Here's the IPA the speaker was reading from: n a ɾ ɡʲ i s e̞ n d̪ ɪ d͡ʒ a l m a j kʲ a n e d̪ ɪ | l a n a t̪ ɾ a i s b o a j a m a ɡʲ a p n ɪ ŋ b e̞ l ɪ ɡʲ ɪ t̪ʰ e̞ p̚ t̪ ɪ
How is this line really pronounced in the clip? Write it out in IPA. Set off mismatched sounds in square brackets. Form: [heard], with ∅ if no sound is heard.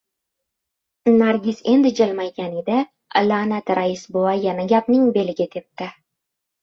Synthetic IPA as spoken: n a ɾ ɡʲ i s e̞ n d̪ ɪ d͡ʒ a l m a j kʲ a n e d̪ ɪ | l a n a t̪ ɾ a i s b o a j a [n] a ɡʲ a p n ɪ ŋ b e̞ l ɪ ɡʲ ɪ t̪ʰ e̞ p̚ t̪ ɪ